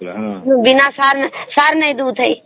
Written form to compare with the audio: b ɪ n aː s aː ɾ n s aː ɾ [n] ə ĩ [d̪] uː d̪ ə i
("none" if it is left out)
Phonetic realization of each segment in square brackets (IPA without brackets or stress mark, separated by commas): n, d̪